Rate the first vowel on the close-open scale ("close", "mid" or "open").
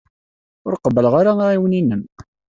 close